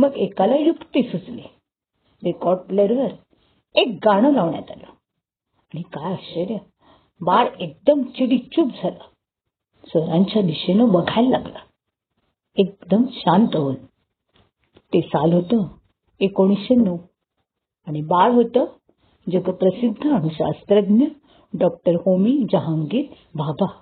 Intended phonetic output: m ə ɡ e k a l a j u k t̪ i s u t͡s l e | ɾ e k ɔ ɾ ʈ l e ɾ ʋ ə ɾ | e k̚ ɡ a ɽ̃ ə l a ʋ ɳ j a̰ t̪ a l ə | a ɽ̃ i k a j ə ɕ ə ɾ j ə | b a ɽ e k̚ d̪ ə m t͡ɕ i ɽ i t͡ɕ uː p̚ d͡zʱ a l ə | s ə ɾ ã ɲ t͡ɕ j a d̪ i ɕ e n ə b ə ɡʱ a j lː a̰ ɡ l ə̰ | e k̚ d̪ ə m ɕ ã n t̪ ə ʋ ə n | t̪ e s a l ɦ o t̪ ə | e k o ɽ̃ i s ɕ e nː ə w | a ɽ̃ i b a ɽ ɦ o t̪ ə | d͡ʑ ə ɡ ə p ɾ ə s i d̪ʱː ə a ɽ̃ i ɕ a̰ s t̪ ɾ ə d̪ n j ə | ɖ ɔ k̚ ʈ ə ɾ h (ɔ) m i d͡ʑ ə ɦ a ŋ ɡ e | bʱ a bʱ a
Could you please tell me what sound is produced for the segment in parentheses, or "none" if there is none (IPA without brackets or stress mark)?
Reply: o